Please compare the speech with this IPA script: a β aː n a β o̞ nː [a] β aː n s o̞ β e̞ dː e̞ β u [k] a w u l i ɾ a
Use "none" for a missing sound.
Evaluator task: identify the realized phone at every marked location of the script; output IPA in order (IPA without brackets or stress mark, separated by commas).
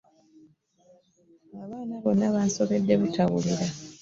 a, t